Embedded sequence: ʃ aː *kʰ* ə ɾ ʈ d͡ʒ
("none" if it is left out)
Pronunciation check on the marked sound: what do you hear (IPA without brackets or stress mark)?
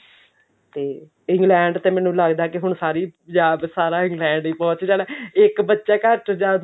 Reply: k